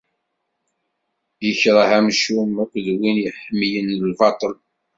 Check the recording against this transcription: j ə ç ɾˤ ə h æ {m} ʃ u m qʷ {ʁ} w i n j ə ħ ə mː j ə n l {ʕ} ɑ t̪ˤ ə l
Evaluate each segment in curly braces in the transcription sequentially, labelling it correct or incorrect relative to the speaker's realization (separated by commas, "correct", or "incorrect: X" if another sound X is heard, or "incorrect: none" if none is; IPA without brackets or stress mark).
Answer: correct, incorrect: ð, incorrect: v